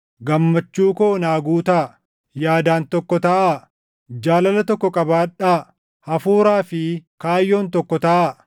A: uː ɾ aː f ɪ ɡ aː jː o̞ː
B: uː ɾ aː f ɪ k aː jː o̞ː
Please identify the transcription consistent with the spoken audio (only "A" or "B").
B